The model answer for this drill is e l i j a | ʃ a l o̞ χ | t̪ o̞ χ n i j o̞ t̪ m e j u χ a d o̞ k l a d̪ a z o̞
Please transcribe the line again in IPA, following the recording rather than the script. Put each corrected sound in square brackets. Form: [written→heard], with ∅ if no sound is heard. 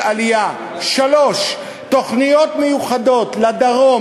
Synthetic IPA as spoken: [e→a] l i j a | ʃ a l o̞ [χ→ʃ] | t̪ o̞ χ n i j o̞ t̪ m e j u χ a d o̞ [k→t] l a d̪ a [z→ʁ] o̞